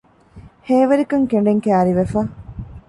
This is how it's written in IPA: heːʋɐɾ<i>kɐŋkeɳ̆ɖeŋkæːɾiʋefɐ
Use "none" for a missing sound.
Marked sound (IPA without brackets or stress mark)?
i